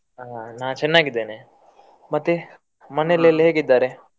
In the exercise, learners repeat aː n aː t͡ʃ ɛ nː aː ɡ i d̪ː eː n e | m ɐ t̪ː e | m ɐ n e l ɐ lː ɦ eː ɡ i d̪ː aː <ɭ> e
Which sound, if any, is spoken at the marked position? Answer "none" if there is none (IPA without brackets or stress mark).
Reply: ɾ